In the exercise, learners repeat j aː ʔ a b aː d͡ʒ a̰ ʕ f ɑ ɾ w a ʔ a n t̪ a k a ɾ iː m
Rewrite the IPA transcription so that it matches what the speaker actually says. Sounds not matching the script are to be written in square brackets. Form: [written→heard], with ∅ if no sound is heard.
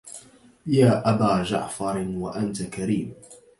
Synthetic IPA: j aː ʔ a b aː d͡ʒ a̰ ʕ f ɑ ɾ w a ʔ a n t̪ a k a ɾ iː m